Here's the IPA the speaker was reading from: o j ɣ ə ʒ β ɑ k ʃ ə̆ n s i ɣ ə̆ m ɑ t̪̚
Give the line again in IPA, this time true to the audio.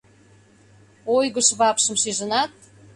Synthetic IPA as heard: o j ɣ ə ʃ β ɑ p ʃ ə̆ m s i ʒ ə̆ n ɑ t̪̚

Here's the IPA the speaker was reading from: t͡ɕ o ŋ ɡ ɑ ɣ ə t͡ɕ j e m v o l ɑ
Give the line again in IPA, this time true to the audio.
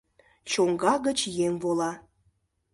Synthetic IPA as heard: t͡ɕ o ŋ ɡ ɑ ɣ ə t͡ɕ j e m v o l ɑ

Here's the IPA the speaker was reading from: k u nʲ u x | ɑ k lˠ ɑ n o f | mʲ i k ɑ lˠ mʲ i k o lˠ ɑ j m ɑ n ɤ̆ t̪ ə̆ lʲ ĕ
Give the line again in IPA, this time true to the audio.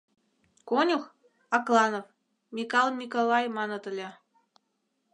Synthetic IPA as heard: k o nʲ u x | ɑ k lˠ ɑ n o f | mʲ i k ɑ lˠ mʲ i k o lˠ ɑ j m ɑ n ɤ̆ t̪ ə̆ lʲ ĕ

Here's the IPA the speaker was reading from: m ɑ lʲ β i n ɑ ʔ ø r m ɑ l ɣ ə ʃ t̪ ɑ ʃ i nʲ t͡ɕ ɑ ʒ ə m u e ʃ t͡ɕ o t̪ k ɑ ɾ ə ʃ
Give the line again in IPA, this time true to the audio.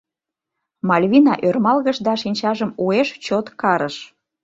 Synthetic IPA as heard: m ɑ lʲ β i n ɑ ʔ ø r m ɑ l ɣ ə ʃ d̪ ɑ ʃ i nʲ t͡ɕ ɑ ʒ ə m u e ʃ t͡ɕ o t̪ k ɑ ɾ ə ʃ

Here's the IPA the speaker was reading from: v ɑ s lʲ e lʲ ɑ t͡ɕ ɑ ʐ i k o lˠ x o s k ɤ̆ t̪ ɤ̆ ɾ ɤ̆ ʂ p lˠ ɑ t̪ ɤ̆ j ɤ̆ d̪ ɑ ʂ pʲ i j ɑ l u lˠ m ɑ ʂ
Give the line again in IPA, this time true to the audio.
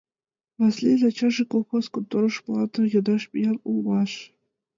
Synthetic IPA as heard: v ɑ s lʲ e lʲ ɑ t͡ɕ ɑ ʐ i k o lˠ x o s k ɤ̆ t̪ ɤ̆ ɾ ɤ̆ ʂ p lˠ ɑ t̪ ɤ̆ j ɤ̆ d̪ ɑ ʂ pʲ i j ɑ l u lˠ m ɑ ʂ

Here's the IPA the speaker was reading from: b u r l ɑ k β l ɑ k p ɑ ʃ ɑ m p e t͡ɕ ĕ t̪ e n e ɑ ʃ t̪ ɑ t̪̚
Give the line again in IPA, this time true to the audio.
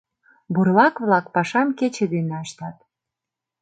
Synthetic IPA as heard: b u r l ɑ k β l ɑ k p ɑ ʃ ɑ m k e t͡ɕ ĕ d̪ e n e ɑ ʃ t̪ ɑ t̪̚

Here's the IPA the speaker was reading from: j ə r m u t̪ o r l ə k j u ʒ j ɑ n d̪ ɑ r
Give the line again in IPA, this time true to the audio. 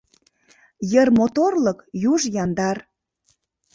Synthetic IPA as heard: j ə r m o t̪ o r l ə k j u ʒ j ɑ n d̪ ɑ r

